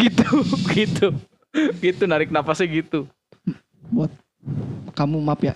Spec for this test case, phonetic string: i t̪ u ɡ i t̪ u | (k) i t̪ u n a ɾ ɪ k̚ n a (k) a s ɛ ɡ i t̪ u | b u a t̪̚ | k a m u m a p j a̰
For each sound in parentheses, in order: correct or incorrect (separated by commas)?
incorrect, incorrect